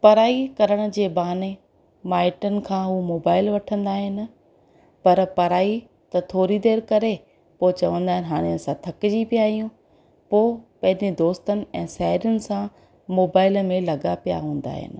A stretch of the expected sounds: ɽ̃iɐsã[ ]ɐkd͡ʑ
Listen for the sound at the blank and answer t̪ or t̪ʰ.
t̪ʰ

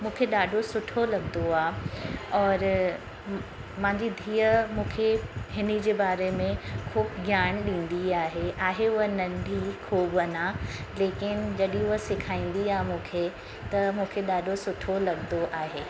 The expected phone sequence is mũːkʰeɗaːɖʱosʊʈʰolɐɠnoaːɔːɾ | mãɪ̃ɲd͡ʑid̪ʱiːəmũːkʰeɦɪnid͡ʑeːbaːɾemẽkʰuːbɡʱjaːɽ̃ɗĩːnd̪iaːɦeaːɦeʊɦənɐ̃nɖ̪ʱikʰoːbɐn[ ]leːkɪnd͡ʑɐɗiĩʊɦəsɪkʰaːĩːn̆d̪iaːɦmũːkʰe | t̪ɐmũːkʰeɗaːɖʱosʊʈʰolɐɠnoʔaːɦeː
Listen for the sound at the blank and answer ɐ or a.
a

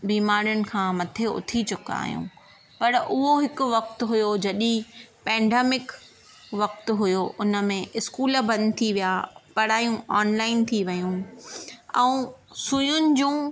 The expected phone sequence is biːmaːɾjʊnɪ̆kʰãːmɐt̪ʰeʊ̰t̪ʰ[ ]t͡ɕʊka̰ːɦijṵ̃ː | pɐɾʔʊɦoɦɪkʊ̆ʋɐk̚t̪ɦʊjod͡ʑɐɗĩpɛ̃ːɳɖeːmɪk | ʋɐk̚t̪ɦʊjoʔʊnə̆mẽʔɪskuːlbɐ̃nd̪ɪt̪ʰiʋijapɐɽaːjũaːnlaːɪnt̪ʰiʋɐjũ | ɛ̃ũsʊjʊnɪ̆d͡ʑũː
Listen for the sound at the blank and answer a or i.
i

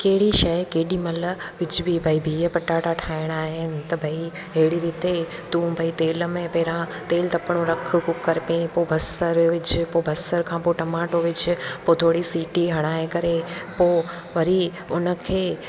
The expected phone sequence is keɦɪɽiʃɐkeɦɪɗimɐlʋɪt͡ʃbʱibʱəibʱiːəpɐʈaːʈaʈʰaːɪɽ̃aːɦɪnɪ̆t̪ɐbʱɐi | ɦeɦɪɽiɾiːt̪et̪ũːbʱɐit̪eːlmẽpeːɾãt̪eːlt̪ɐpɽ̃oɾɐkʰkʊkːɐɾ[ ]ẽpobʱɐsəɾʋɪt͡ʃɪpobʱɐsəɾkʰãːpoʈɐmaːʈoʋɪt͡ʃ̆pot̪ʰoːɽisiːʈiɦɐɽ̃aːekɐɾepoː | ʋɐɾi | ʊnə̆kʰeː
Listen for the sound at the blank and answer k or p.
p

